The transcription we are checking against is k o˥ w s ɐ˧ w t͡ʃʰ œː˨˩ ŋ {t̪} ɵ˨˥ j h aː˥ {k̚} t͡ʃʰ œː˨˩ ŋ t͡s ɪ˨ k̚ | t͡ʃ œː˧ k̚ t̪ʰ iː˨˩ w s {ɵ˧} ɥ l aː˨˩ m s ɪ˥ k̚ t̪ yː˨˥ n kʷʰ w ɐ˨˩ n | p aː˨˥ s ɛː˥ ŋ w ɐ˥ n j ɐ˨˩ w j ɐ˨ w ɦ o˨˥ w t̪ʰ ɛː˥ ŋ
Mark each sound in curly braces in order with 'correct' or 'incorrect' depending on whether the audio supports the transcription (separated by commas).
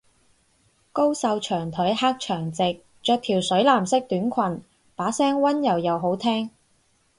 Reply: incorrect, correct, incorrect